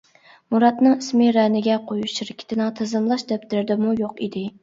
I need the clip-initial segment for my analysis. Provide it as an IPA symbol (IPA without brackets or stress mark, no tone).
m